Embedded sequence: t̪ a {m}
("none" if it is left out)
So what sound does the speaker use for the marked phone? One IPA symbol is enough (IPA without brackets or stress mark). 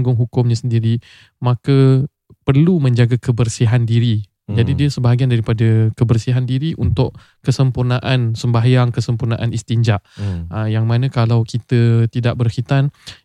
n